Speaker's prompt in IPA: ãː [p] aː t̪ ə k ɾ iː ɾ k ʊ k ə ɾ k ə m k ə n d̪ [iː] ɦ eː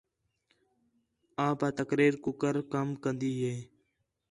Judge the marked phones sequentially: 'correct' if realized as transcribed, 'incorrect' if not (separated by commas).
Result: correct, correct